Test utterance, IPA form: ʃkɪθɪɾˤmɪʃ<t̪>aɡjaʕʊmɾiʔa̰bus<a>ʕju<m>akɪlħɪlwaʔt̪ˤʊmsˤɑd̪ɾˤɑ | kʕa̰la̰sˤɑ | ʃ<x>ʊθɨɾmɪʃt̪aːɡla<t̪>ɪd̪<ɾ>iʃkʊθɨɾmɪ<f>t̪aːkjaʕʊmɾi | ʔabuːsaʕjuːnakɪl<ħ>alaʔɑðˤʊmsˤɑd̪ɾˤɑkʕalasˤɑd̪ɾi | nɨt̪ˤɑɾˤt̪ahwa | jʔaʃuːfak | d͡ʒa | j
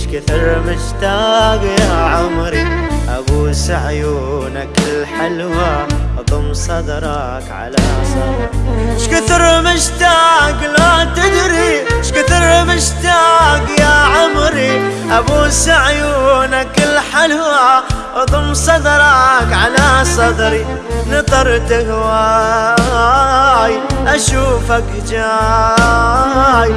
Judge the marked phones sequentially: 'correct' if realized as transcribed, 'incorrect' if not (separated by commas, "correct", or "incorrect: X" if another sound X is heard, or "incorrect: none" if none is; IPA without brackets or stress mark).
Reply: correct, correct, incorrect: n, incorrect: k, correct, correct, incorrect: ʃ, correct